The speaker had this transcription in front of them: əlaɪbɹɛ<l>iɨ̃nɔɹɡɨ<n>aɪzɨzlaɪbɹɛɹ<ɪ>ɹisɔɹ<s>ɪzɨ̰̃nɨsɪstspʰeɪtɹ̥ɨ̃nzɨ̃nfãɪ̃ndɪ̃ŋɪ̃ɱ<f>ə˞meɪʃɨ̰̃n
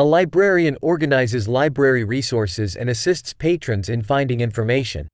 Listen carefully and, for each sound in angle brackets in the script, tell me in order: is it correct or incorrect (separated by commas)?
incorrect, correct, incorrect, correct, correct